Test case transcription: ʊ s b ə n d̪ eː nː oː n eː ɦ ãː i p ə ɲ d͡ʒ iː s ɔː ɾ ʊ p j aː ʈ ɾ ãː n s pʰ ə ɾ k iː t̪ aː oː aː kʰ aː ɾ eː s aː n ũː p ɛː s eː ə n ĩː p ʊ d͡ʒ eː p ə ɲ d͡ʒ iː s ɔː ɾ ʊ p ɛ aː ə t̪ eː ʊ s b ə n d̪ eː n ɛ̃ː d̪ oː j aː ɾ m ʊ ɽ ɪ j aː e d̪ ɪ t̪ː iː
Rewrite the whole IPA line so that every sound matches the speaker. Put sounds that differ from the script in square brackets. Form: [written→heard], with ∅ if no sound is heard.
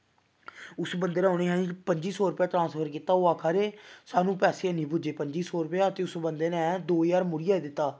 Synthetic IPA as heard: ʊ s b ə n d̪ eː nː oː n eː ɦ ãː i p ə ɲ d͡ʒ iː s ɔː ɾ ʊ p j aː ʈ ɾ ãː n s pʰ ə ɾ k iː t̪ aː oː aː kʰ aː ɾ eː s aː n ũː p ɛː s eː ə n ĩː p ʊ d͡ʒ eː p ə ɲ d͡ʒ iː s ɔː ɾ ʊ p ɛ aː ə t̪ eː ʊ s b ə n d̪ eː n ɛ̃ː d̪ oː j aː ɾ m ʊ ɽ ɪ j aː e d̪ ɪ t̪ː [iː→aː]